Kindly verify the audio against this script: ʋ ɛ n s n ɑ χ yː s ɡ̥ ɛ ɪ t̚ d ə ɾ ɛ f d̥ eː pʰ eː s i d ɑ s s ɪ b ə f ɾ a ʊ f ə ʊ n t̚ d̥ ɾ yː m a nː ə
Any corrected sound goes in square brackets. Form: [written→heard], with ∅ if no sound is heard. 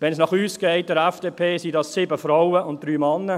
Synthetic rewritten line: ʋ ɛ n s n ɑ χ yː s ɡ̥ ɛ ɪ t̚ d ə ɾ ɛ f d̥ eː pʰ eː s i d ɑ s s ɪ b ə f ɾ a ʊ [f→∅] ə ʊ n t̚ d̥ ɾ yː m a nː ə